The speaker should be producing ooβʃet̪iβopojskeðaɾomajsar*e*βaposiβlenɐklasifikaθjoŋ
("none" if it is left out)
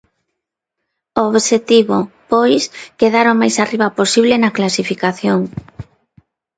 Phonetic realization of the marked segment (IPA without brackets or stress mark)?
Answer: i